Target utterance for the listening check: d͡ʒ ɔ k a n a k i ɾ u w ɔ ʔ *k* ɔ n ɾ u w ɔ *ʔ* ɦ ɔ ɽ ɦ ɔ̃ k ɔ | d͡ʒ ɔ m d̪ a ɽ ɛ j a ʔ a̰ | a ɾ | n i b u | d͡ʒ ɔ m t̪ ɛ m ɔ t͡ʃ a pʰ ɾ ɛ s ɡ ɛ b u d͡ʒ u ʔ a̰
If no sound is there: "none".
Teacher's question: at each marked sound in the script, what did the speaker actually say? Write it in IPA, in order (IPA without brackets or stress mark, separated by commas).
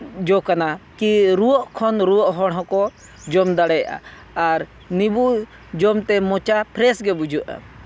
kʰ, ʔ